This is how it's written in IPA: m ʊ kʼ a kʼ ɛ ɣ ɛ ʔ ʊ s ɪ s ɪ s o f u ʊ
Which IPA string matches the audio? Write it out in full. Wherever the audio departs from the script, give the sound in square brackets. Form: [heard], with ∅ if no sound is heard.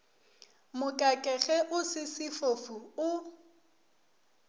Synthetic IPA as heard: m ʊ kʼ a kʼ ɛ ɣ ɛ ʔ ʊ s ɪ s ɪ [f] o f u ʊ